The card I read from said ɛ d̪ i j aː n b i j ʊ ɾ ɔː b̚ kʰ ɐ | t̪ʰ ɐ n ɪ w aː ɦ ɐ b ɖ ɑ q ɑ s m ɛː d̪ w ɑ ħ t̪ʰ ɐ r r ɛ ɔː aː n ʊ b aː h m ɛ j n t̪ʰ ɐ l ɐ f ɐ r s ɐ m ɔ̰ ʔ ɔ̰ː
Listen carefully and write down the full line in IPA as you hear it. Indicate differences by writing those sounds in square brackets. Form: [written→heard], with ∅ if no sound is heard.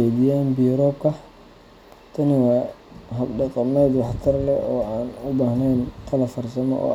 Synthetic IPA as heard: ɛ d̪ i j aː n b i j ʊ ɾ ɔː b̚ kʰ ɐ | t̪ʰ ɐ n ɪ w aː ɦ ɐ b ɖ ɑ q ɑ [s→∅] m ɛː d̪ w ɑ ħ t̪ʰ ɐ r [r→l] ɛ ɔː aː n ʊ b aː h [m→n] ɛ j n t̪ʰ ɐ l ɐ f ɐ r s ɐ m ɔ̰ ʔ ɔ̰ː

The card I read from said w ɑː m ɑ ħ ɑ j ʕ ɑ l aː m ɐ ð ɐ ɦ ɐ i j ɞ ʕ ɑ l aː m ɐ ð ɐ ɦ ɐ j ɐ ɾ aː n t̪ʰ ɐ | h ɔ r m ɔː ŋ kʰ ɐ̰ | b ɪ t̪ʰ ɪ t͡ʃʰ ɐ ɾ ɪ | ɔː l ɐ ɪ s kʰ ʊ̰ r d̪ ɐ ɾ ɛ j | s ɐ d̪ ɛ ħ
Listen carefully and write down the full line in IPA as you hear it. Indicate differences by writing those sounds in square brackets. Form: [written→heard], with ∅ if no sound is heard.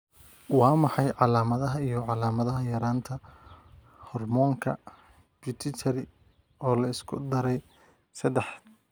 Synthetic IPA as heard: w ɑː m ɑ ħ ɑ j ʕ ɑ l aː m ɐ ð ɐ ɦ ɐ i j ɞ ʕ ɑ l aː m ɐ ð ɐ ɦ ɐ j ɐ ɾ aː n t̪ʰ ɐ | h ɔ r m ɔː ŋ kʰ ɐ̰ | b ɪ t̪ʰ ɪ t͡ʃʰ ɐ ɾ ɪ | ɔː l ɐ ɪ s kʰ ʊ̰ [r→∅] d̪ ɐ ɾ ɛ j | s ɐ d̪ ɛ ħ

